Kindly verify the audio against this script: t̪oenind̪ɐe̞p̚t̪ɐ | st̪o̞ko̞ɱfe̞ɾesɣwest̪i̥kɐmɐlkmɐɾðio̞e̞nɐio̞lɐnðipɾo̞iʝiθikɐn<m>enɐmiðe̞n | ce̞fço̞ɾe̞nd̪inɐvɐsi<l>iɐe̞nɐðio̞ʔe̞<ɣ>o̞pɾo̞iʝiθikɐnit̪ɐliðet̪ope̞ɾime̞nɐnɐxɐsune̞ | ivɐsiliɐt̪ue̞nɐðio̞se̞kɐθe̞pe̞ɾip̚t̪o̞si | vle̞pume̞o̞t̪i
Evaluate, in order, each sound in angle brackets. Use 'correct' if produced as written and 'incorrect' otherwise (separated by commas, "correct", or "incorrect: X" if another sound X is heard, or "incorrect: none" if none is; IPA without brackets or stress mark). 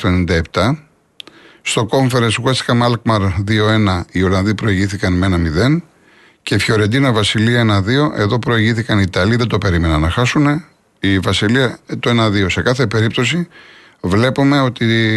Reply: correct, correct, incorrect: ð